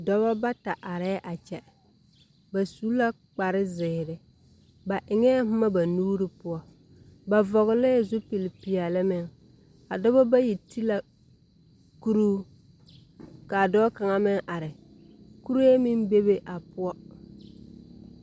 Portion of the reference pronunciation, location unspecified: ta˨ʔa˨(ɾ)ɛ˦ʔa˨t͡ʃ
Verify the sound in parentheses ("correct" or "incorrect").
correct